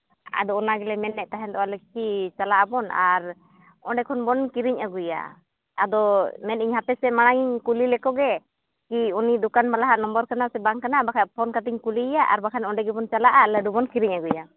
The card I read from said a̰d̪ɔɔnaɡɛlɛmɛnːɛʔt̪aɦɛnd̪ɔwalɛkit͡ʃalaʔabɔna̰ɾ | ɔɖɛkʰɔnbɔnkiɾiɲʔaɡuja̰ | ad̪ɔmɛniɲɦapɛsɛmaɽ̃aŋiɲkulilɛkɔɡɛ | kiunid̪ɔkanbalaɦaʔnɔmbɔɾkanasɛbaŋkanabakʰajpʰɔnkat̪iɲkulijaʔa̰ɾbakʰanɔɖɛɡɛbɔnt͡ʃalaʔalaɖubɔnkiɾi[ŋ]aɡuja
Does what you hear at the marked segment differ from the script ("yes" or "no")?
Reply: yes